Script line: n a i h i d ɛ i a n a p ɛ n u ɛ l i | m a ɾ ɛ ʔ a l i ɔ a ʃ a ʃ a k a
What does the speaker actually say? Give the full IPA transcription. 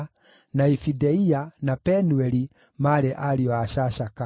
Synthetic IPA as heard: n a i f i d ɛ i a n a p ɛ n u ɛ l i | m a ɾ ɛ ʔ a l i ɔ a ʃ a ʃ a k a